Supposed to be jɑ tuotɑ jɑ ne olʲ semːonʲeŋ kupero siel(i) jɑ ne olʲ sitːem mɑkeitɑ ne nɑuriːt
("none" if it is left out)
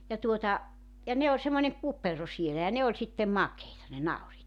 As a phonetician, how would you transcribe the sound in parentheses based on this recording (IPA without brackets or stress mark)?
æ